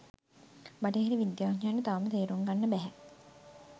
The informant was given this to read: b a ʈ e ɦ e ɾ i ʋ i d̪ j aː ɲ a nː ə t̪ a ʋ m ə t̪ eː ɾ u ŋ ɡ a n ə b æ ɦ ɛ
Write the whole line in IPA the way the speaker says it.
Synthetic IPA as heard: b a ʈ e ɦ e ɾ i ʋ i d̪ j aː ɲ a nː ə t̪ a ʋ m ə t̪ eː ɾ u ŋ ɡ a nː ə b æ ɦ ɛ